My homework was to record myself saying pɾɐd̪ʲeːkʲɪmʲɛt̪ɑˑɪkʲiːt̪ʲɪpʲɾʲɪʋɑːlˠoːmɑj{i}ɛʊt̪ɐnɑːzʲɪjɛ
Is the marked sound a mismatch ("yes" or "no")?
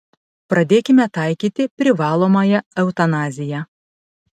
yes